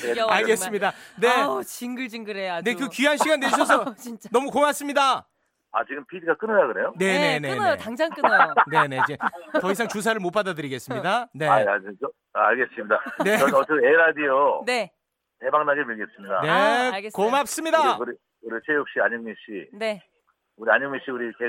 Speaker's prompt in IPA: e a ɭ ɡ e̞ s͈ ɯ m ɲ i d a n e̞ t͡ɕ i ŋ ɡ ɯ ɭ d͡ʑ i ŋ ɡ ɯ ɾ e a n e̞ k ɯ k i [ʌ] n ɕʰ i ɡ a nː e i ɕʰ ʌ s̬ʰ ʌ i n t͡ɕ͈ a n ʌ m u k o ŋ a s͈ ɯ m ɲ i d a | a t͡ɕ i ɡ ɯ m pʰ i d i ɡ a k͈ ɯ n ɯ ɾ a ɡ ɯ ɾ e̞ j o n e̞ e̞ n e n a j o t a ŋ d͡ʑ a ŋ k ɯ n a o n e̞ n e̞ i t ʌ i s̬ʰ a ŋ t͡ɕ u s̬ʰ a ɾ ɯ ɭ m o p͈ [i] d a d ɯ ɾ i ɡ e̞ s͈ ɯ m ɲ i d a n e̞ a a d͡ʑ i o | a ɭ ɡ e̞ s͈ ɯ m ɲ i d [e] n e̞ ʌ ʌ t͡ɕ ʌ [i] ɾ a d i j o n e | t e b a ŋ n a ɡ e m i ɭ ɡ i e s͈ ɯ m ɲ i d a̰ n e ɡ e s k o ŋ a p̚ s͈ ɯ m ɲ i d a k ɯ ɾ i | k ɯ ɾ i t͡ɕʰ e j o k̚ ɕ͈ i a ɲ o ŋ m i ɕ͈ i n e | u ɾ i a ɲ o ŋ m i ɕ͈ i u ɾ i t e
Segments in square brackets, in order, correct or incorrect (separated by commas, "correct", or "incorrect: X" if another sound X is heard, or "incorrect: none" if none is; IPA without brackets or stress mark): incorrect: a, incorrect: a, incorrect: a, incorrect: e